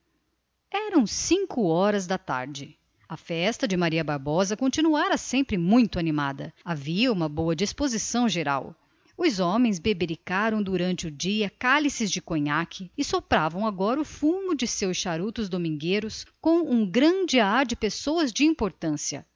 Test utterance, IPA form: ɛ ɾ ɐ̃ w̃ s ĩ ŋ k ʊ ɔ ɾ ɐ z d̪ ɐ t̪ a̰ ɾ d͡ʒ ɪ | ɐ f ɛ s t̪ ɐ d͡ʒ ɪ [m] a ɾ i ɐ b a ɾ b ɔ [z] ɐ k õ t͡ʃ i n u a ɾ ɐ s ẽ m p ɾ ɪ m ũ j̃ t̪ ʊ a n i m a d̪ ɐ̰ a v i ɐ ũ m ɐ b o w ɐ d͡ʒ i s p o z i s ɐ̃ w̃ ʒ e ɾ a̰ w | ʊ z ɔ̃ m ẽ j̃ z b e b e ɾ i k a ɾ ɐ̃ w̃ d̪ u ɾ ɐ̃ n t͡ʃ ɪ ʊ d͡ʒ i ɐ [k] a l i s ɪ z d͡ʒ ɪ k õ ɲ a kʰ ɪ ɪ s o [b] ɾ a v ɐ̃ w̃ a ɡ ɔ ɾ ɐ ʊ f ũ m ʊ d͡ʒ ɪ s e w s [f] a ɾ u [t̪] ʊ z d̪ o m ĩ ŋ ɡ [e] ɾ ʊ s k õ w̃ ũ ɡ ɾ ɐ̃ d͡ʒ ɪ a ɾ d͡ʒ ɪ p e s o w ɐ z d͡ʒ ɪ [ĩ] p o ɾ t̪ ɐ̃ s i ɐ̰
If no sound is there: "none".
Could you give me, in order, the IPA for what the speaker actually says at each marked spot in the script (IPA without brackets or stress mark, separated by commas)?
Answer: m, z, k, p, ʃ, t̪, e, ĩ